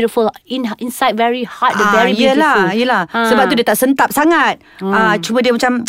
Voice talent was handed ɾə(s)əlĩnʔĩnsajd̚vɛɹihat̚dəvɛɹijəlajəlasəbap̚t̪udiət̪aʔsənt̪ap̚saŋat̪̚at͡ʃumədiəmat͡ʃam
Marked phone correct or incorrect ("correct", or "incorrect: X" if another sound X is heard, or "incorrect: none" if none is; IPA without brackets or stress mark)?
incorrect: f